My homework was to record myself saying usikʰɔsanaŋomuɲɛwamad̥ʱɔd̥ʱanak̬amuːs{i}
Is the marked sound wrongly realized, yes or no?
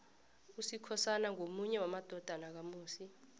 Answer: no